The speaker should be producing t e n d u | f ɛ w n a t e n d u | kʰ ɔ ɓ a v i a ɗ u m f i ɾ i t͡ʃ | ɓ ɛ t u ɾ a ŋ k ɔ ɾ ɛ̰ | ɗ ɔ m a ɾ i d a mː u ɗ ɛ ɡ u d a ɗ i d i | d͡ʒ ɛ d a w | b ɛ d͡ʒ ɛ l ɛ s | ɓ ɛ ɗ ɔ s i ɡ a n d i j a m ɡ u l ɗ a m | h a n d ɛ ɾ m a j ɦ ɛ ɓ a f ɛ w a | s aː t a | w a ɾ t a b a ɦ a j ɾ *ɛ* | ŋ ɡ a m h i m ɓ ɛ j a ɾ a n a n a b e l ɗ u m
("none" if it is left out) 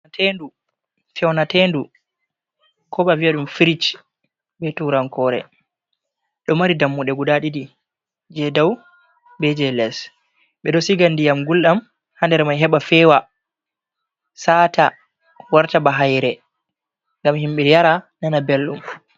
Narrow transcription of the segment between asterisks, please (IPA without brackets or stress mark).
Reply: ɛ